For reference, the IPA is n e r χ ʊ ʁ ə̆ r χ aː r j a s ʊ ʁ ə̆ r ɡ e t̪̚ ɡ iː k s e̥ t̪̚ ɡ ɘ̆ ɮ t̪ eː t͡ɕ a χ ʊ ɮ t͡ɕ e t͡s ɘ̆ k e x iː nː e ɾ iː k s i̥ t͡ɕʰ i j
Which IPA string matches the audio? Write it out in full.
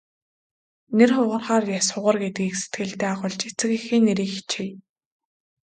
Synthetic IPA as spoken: n e r χ ʊ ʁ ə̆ r χ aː r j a s ʊ ʁ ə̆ r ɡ e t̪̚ ɡ iː k s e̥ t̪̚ ɡ ɘ̆ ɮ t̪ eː a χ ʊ ɮ t͡ɕ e t͡s ɘ̆ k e x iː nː e ɾ iː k x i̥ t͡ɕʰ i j